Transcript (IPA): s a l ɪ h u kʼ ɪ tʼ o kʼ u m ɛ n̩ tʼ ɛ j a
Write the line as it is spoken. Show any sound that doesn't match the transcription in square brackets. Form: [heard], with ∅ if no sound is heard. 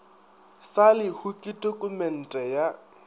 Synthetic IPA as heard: s a l ɪ h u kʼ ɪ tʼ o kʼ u m ɛ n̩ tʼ ɛ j a